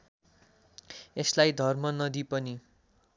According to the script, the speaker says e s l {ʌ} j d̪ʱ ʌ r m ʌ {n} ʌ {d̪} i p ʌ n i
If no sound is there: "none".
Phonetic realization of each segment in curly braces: a, n, d̪

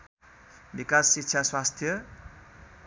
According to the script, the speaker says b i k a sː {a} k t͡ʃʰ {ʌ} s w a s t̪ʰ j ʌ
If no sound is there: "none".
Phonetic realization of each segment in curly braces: i, a

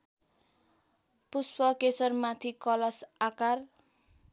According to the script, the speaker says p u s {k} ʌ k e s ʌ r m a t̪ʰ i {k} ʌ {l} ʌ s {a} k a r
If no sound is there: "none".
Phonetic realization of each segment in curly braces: p, k, l, a

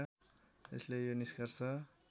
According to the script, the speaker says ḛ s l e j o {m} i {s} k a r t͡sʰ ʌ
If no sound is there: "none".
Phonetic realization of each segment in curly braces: n, s

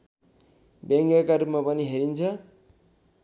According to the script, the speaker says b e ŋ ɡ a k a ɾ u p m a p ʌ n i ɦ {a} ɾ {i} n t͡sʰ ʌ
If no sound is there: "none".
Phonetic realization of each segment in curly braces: e, i

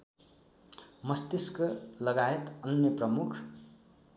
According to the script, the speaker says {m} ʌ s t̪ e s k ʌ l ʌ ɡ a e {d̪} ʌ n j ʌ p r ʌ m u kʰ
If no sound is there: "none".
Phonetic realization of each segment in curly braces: m, t̪

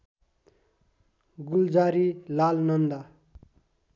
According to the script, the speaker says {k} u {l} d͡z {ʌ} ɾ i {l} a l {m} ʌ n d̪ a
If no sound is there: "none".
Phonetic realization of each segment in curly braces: ɡ, l, a, l, n

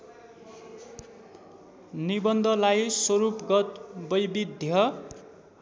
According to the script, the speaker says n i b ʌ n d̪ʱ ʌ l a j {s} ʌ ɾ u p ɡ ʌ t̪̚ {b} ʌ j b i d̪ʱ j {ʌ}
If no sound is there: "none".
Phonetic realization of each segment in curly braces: s, b, ʌ

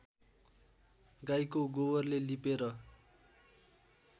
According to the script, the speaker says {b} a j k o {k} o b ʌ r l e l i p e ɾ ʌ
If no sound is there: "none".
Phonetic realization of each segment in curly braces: ɡ, ɡ

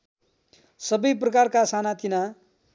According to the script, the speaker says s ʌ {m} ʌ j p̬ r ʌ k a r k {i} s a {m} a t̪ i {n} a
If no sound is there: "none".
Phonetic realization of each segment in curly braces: b, a, n, n

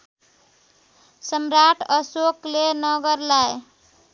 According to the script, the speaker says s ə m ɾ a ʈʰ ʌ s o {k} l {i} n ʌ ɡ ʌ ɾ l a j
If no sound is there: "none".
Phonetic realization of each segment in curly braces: k, e

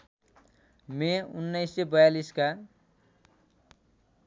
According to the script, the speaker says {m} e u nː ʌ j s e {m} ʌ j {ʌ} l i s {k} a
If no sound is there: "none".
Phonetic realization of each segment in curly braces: m, b, a, k

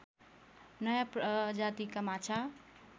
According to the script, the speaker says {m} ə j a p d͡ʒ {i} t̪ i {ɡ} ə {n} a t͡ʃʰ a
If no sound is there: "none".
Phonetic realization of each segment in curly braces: n, a, k, m

